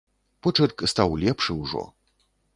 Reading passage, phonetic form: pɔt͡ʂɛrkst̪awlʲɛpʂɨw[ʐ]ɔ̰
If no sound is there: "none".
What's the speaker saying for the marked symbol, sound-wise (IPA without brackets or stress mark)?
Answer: ʐ